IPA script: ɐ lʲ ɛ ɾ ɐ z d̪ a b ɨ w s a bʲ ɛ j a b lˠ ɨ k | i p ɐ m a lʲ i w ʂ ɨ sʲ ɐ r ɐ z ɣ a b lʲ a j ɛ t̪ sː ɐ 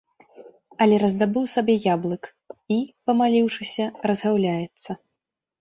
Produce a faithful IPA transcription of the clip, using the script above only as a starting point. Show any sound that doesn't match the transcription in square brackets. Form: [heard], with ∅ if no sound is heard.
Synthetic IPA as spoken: ɐ lʲ ɛ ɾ ɐ z d̪ a b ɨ w s a bʲ ɛ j a b lˠ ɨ k | i p ɐ m a lʲ i w ʂ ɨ sʲ ɐ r ɐ z ɣ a [w] lʲ a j ɛ t̪ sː ɐ